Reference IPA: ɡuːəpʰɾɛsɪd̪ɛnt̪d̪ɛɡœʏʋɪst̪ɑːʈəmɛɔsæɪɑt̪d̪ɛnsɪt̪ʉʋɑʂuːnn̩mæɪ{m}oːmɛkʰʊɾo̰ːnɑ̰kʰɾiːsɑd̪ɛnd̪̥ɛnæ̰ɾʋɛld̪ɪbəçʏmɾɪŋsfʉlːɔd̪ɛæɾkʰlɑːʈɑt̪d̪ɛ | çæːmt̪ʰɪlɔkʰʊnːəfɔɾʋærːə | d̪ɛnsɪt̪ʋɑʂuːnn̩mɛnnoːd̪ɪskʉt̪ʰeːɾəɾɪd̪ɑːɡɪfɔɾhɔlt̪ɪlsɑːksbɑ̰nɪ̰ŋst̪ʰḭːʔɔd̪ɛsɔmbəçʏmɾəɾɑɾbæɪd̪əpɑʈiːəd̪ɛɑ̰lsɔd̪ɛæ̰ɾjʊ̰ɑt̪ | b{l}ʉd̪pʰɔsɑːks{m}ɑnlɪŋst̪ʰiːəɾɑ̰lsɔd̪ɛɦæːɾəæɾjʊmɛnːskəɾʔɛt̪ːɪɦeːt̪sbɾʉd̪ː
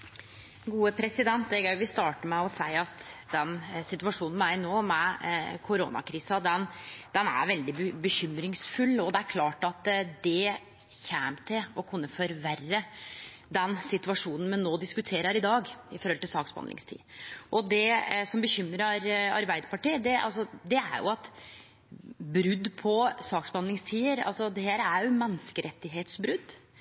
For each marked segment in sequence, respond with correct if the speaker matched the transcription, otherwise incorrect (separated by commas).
incorrect, incorrect, incorrect